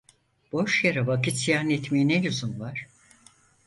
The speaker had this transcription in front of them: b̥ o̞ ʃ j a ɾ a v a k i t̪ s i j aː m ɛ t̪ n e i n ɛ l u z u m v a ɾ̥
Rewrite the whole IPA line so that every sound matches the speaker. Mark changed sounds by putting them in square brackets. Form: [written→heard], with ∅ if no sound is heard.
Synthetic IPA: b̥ o̞ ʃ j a ɾ a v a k i t̪ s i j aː [m→n] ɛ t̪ [n→m] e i n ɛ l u z u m v a ɾ̥